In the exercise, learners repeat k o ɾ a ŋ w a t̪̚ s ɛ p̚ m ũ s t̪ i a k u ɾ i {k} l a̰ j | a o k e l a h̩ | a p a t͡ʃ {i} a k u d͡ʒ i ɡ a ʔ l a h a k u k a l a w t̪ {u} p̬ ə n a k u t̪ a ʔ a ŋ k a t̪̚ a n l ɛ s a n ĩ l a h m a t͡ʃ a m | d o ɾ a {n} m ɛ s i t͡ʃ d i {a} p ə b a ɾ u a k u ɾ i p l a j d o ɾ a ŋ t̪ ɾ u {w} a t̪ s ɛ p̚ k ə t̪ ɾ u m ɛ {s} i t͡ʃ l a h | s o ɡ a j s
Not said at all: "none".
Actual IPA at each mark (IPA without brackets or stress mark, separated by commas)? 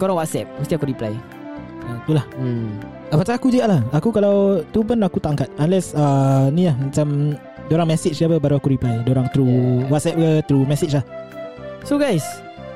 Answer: p, a, u, ŋ, a, w, s